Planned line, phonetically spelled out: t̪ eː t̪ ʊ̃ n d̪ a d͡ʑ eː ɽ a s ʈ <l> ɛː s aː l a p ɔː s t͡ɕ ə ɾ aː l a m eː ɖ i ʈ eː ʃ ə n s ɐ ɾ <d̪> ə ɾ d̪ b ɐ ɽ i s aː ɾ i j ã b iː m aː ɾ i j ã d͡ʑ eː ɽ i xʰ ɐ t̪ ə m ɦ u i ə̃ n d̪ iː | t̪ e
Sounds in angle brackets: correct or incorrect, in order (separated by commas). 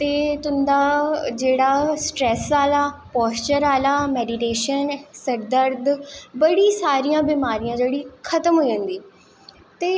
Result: incorrect, correct